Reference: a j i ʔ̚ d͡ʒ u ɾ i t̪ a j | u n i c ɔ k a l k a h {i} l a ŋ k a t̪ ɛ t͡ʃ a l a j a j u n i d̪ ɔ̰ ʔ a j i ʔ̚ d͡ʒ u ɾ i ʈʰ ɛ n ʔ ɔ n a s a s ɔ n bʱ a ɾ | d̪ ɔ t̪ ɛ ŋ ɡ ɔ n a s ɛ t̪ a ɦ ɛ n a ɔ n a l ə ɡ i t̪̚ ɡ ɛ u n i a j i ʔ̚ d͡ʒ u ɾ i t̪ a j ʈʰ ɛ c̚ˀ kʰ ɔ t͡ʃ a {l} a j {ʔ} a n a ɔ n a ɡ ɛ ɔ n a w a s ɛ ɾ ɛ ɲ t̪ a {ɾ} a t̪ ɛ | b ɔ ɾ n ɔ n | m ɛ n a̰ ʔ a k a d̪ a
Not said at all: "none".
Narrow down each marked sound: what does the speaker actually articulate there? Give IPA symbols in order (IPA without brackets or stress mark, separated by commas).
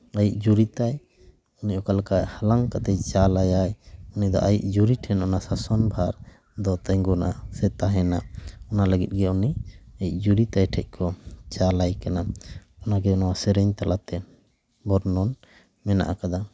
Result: a, l, k, l